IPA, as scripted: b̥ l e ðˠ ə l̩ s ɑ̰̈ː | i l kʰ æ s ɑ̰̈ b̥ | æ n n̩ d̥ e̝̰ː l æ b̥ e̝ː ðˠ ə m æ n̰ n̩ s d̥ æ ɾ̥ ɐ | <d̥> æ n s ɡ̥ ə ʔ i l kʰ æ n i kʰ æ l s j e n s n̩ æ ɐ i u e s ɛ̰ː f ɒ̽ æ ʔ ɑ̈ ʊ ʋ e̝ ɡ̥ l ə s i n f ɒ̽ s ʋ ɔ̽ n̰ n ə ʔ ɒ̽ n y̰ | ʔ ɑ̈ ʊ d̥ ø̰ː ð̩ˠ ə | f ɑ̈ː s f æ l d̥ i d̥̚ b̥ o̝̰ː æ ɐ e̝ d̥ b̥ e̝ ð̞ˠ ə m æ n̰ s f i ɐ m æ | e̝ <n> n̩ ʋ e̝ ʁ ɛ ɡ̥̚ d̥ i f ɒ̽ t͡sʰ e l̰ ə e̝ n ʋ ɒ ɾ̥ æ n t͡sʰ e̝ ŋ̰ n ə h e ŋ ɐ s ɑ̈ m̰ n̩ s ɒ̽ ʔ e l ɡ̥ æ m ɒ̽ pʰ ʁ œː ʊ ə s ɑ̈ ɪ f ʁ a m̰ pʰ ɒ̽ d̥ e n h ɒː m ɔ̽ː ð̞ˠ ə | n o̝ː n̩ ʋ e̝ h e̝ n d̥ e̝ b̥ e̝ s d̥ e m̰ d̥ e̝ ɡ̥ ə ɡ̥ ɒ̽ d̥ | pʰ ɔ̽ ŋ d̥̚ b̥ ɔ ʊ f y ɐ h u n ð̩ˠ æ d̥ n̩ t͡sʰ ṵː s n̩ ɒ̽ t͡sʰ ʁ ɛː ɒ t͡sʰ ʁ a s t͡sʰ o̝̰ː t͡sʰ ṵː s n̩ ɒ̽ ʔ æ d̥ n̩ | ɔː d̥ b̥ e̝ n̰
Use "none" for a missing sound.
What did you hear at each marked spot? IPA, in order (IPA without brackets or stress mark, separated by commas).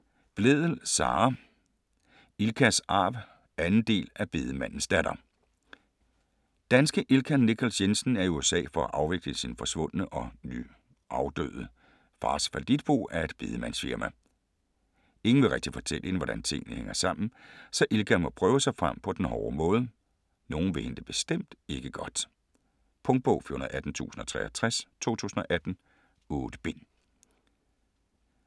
d̥, ŋ